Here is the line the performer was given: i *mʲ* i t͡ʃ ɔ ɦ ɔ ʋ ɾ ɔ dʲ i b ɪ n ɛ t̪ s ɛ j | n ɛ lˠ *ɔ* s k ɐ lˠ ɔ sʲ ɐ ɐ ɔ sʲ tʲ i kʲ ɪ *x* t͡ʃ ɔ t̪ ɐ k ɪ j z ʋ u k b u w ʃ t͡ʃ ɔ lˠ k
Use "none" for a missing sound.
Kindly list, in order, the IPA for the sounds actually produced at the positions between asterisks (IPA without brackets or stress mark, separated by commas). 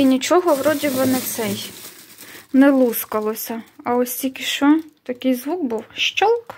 nʲ, u, ʃ